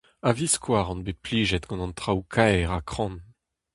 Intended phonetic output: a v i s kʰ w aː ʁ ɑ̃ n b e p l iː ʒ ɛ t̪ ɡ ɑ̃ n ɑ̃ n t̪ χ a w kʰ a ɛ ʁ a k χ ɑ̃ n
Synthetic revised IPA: a v i s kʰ w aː ʁ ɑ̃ n b e p l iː ʒ ɛ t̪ ɡ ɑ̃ n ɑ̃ n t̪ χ a w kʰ a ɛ ʁ a k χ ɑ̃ n